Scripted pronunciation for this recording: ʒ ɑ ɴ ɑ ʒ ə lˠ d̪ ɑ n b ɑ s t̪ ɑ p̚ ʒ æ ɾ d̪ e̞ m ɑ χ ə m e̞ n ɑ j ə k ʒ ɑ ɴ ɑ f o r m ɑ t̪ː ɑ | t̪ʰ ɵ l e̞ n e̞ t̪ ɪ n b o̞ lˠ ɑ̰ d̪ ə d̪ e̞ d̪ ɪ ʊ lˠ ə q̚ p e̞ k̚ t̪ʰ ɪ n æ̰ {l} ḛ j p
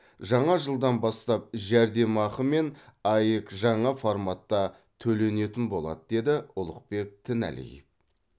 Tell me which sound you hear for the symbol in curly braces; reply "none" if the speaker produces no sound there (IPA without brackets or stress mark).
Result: l